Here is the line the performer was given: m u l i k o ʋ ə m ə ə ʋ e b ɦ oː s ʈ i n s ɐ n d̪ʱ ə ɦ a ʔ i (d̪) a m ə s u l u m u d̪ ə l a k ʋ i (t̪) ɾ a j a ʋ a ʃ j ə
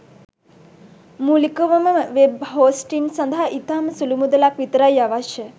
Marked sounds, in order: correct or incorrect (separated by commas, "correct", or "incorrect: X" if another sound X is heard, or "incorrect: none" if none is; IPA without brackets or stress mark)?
incorrect: t̪, correct